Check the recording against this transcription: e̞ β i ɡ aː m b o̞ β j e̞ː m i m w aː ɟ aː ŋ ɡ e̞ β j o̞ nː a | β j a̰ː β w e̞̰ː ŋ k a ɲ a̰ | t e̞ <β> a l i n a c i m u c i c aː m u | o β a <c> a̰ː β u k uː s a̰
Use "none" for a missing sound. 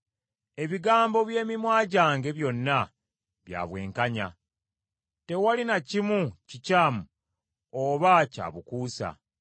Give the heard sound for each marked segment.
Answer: w, c

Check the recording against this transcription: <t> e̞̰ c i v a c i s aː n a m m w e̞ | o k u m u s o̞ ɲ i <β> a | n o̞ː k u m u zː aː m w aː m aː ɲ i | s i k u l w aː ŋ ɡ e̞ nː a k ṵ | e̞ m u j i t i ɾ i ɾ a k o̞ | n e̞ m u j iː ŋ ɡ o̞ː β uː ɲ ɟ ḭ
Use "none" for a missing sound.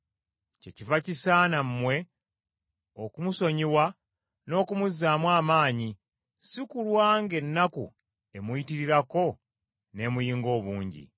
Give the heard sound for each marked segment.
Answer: c, w

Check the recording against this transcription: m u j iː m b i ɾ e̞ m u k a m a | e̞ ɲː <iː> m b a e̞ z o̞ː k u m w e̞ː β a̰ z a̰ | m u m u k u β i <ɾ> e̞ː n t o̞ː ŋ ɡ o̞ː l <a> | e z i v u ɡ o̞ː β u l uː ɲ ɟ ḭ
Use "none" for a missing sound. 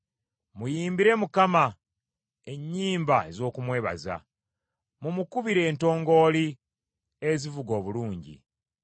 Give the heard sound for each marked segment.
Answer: iː, ɾ, i

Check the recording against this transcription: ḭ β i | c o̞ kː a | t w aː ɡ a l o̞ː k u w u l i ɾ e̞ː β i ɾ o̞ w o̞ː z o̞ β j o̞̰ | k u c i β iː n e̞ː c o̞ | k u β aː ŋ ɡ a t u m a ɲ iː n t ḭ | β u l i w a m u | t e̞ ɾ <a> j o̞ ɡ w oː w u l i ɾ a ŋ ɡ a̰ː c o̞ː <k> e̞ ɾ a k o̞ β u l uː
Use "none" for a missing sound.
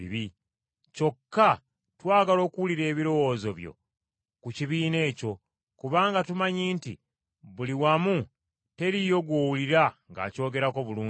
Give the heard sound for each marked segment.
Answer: i, ɡ

